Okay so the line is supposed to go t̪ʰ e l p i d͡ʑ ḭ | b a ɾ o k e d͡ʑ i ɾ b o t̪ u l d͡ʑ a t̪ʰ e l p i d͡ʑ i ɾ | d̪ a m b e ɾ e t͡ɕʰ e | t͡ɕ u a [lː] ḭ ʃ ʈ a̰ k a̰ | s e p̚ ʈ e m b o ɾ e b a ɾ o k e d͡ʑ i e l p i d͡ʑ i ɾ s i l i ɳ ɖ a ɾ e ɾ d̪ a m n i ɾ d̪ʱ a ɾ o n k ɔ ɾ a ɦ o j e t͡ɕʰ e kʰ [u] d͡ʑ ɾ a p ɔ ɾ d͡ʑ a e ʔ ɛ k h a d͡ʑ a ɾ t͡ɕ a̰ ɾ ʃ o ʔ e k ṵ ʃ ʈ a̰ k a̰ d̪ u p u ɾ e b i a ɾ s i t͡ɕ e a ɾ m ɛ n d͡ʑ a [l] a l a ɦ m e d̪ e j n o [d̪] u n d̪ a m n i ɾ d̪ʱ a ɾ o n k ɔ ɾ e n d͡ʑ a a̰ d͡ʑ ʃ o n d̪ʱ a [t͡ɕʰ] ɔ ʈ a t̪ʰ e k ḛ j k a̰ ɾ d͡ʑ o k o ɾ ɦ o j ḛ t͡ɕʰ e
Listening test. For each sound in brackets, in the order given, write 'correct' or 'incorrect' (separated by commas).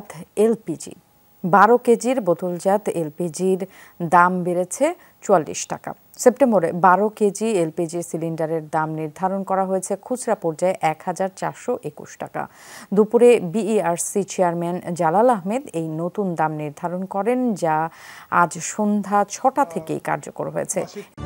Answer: correct, correct, correct, incorrect, correct